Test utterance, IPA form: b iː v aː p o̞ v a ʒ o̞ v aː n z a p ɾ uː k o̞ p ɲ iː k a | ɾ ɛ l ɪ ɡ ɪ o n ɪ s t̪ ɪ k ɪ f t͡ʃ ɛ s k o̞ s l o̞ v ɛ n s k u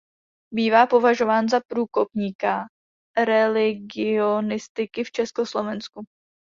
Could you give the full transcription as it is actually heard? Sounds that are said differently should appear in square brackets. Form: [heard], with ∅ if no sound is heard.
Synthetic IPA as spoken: b iː v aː p o̞ v a ʒ o̞ v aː n z a p ɾ uː k o̞ p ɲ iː k a | ɾ ɛ l ɪ ɡ ɪ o n ɪ s t̪ ɪ k ɪ f t͡ʃ ɛ s k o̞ s l o̞ v ɛ n s k u